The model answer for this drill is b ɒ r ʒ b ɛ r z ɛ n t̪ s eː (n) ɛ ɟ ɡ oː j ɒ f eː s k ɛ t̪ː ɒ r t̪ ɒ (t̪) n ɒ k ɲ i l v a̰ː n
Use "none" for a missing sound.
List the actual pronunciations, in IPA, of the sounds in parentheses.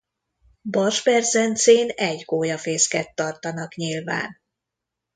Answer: n, none

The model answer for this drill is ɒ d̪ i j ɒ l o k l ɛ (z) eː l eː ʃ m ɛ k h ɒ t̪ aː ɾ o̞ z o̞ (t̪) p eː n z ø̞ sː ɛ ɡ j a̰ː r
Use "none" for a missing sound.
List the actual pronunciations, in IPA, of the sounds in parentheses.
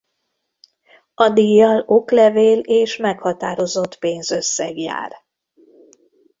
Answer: v, t̪

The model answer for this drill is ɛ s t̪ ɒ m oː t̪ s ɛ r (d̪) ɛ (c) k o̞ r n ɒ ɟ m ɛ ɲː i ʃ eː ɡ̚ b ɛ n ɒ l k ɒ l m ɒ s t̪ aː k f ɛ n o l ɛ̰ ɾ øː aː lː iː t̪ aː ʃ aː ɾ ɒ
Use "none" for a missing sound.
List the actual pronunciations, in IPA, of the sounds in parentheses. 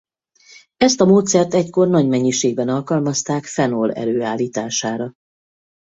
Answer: t̪, c

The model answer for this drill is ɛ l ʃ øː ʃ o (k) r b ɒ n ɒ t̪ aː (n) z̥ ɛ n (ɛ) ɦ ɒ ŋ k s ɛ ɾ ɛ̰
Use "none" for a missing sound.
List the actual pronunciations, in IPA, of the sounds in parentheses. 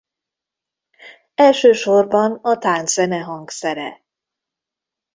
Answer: none, n, ɛ

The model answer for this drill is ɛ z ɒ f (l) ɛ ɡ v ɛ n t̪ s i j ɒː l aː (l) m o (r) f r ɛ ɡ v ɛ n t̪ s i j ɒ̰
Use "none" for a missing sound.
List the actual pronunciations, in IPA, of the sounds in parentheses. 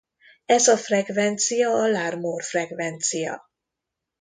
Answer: r, r, r

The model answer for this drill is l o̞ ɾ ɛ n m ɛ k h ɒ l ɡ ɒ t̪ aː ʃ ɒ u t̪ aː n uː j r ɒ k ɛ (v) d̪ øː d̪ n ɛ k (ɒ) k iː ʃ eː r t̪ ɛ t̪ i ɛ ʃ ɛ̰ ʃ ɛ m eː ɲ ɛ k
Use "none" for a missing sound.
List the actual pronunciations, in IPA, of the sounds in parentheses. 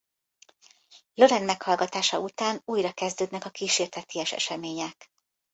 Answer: z, ɒ

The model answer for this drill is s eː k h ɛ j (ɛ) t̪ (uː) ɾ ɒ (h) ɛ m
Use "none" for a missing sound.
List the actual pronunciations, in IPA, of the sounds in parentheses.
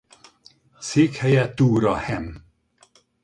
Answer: ɛ, uː, h

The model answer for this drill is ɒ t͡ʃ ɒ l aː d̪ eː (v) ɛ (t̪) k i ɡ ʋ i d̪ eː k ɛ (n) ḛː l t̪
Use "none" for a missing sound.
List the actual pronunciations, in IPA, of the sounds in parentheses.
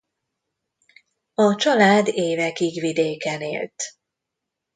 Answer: v, none, n

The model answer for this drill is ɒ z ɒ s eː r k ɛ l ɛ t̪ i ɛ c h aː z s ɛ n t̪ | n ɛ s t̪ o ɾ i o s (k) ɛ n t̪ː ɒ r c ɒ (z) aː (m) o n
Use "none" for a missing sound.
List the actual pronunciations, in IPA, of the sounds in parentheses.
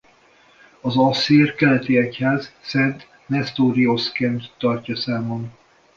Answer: k, s, m

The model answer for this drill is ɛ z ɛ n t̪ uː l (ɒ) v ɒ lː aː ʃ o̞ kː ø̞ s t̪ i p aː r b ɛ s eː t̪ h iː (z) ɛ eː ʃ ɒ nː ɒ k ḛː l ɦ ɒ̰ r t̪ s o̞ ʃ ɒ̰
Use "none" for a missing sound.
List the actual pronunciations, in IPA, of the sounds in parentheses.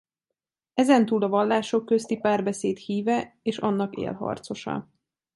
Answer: ɒ, v

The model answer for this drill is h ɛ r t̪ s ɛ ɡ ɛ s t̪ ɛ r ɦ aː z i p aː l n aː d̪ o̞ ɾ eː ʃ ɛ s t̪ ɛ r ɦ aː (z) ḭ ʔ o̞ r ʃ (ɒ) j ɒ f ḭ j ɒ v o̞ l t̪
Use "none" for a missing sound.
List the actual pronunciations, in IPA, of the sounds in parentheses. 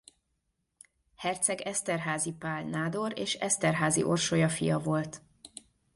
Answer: z, o

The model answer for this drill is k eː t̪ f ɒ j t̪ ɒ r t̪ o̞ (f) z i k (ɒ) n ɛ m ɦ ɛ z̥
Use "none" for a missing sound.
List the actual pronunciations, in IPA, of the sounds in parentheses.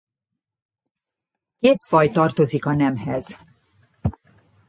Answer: none, ɒ

